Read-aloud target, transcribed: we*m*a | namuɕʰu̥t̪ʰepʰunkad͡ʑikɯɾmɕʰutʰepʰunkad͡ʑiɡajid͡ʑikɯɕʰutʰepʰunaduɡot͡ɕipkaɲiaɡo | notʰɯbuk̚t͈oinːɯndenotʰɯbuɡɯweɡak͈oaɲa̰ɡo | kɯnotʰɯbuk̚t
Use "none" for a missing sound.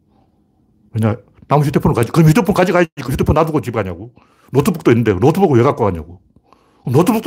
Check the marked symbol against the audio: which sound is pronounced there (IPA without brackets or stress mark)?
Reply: ɲ